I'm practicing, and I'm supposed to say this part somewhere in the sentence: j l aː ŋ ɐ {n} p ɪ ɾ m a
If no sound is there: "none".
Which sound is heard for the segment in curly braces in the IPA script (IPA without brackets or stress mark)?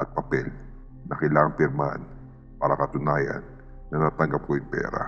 ŋ